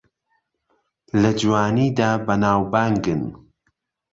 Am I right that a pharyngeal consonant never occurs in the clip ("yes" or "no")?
yes